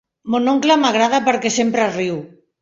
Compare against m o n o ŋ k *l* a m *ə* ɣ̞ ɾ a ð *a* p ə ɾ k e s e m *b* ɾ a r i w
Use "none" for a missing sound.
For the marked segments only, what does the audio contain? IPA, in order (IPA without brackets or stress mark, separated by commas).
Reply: l, a, a, p